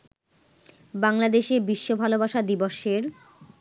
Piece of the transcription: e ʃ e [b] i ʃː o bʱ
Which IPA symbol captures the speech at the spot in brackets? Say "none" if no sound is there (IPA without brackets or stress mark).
b